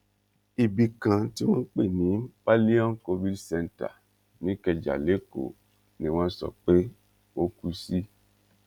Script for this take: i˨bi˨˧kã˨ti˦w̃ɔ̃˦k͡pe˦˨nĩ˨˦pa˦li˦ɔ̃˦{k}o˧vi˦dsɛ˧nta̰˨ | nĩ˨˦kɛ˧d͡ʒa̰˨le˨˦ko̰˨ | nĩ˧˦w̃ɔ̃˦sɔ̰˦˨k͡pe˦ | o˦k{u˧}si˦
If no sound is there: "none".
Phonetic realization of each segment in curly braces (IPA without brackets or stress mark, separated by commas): k, u˧